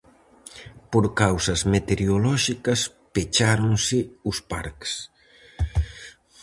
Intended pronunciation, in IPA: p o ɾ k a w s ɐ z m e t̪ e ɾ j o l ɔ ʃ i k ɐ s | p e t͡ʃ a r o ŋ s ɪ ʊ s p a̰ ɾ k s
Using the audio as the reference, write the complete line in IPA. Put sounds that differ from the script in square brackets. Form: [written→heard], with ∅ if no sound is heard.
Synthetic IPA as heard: p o ɾ k a w s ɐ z m e t̪ e ɾ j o l ɔ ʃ i k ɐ s | p e t͡ʃ a [r→ɾ] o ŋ s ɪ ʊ s p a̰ ɾ k s